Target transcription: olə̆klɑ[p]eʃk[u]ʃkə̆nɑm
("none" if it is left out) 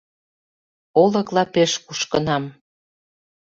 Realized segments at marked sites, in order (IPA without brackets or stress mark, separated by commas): p, u